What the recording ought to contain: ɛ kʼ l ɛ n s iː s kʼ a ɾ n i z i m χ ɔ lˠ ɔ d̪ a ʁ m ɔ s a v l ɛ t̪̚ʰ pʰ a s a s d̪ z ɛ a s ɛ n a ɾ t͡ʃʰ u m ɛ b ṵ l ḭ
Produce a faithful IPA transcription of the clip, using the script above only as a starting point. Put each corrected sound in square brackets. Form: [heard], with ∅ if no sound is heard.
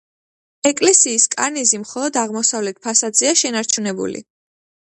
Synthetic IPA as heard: ɛ kʼ l ɛ [∅] s iː s kʼ a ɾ n i z i m χ ɔ lˠ ɔ d̪ a ʁ m ɔ s a v l ɛ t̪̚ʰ pʰ a s a [∅] d̪ z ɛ a [ʃ] ɛ n a ɾ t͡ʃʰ u [n] ɛ b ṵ l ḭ